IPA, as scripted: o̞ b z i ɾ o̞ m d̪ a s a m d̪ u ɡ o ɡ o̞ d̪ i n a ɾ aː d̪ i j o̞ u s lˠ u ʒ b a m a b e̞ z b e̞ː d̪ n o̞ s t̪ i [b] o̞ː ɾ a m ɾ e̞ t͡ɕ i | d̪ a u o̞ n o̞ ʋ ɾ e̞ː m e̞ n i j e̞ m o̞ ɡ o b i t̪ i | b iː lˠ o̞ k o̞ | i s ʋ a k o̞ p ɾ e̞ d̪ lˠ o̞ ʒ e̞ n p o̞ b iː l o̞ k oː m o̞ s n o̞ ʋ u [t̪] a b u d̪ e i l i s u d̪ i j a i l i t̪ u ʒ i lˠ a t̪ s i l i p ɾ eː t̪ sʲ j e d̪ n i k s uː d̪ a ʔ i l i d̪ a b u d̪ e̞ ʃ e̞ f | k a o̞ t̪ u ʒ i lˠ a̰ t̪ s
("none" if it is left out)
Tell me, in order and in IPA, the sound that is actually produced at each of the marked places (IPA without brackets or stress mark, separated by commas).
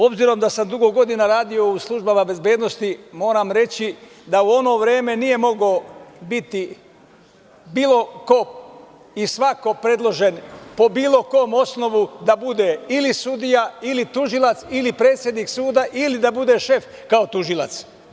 m, d̪